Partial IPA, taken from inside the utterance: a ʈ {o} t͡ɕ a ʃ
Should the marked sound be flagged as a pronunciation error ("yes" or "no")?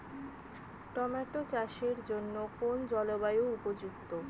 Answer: no